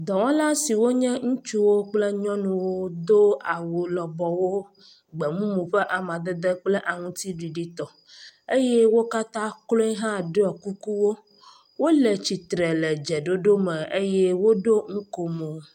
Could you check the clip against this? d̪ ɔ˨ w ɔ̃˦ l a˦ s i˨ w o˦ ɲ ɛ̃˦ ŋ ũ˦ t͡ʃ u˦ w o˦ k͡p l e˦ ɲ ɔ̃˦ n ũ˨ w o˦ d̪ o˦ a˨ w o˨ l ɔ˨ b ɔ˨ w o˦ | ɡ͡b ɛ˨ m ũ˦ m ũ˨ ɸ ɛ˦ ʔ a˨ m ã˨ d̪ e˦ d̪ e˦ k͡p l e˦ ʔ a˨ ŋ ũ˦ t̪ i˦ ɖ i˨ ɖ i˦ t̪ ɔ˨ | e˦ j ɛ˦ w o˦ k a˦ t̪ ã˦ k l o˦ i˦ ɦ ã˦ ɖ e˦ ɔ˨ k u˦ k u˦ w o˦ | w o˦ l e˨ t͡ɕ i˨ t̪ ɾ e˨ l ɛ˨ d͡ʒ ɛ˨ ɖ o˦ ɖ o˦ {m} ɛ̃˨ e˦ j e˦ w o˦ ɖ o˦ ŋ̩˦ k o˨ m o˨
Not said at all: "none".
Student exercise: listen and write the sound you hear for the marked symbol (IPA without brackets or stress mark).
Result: m